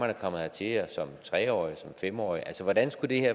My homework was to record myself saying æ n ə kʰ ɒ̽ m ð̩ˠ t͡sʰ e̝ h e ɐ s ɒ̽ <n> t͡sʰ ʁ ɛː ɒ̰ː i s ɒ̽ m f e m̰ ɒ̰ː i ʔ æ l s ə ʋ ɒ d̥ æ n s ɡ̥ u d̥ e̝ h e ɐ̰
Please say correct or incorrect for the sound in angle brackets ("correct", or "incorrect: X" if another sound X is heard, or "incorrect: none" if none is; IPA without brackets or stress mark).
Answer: incorrect: m